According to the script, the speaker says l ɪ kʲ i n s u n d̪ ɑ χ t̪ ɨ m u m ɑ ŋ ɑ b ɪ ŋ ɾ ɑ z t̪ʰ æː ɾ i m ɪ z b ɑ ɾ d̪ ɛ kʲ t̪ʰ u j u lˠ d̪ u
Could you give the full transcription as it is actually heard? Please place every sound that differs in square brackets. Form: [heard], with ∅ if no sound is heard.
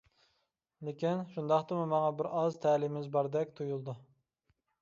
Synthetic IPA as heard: l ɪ kʲ i n [ʃ] u n d̪ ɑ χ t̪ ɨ m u m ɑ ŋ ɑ b ɪ [∅] ɾ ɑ z t̪ʰ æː [l] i m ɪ z b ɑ ɾ d̪ ɛ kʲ t̪ʰ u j u lˠ d̪ u